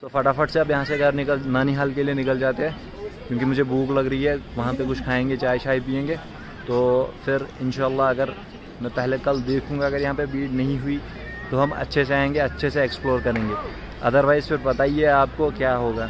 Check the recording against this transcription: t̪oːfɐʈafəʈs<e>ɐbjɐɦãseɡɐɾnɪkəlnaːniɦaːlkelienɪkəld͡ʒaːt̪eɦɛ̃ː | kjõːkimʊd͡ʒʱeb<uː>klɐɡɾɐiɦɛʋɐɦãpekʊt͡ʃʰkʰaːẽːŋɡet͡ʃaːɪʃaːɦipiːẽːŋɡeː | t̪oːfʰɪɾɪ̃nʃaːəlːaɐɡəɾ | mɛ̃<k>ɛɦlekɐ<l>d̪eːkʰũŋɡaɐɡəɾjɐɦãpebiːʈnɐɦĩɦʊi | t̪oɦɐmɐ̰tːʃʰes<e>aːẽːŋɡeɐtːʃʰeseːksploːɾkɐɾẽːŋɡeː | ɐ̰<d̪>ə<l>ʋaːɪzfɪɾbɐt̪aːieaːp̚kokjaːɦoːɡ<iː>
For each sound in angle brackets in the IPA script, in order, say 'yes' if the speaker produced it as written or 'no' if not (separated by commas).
yes, yes, no, yes, yes, yes, no, no